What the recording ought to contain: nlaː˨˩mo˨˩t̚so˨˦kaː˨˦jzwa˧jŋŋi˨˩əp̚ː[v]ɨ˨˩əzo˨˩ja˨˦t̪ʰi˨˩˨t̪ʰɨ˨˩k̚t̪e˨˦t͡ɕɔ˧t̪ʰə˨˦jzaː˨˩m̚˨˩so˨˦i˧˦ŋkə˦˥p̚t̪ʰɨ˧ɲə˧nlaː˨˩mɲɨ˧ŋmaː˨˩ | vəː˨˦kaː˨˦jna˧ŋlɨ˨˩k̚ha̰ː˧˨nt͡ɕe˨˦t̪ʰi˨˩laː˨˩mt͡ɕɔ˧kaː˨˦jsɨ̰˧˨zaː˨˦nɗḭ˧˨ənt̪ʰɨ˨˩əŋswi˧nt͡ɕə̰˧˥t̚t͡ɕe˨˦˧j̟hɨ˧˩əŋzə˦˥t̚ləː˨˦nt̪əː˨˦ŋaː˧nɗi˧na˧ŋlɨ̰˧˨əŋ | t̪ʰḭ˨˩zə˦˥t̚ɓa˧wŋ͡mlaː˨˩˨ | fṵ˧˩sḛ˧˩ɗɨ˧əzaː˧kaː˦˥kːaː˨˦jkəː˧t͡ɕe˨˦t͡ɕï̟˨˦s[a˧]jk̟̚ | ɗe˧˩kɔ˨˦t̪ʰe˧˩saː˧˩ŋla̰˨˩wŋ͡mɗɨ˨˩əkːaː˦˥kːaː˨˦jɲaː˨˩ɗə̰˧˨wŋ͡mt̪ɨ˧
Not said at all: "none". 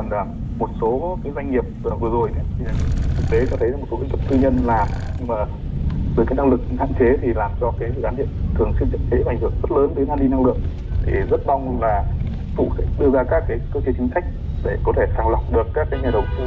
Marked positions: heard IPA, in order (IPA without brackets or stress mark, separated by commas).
v, a˦˥